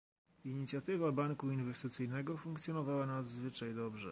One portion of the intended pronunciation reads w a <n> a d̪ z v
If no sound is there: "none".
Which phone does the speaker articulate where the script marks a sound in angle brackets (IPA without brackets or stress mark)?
n